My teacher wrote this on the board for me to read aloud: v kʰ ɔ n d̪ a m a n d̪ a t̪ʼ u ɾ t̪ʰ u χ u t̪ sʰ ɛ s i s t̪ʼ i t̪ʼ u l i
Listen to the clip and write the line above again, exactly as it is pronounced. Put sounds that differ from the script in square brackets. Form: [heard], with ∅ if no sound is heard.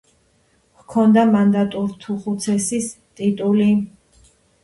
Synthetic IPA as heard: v kʰ ɔ n d̪ a m a n d̪ a t̪ʼ u ɾ t̪ʰ u χ u t̪ sʰ ɛ s i s t̪ʼ i t̪ʼ u l i